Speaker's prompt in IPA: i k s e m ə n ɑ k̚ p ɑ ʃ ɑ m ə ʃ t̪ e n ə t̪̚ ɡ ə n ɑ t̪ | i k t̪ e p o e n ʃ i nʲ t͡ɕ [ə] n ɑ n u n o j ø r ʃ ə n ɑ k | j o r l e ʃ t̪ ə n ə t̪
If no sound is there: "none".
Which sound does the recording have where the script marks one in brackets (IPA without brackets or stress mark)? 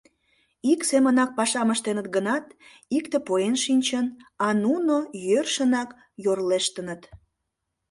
ə